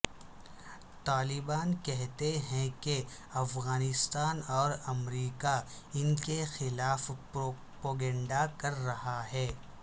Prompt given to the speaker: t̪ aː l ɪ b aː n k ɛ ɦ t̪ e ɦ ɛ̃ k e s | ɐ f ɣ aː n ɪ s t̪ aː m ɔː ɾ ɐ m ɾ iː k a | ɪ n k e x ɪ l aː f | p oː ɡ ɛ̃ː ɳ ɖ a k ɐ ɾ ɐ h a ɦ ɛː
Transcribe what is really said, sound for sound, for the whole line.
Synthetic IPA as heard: t̪ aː l ɪ b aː n k ɛ ɦ t̪ e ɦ ɛ̃ k e | ɐ f ɣ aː n ɪ s t̪ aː n ɔː ɾ ɐ m ɾ iː k a | ɪ n k e x ɪ l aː f | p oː ɡ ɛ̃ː ɳ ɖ a k ɐ ɾː ɐ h a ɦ ɛː